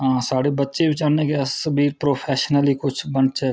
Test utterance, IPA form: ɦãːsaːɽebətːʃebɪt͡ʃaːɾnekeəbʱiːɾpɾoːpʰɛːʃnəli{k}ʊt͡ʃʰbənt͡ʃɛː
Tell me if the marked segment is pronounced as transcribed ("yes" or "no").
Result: yes